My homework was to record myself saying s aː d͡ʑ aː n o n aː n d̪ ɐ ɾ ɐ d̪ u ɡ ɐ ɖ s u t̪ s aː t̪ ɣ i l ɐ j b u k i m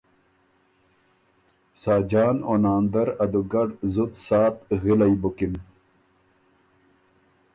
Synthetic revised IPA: s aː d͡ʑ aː n o n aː n d̪ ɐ ɾ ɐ d̪ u ɡ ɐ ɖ z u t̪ s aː t̪ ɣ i l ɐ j b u k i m